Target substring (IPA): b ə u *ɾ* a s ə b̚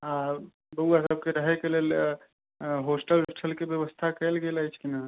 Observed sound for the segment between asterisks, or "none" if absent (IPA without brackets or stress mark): none